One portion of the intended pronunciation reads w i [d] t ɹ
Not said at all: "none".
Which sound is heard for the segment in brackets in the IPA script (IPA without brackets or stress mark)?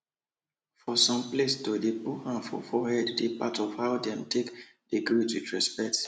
none